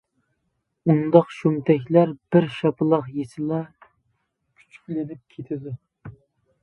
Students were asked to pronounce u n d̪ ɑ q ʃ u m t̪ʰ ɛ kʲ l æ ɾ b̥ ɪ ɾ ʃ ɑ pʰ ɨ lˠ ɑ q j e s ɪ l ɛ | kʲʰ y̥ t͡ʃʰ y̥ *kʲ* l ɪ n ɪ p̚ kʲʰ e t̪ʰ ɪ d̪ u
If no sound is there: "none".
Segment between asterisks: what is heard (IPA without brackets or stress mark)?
kʲ